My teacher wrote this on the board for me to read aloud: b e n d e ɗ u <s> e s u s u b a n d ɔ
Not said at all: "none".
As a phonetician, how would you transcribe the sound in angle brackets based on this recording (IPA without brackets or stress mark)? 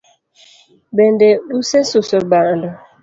s